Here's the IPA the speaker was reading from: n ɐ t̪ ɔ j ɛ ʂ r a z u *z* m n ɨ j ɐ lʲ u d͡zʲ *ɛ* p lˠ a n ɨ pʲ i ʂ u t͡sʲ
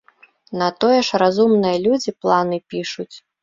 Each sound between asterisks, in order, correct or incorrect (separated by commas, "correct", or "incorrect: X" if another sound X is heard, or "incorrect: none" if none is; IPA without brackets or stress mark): incorrect: none, incorrect: i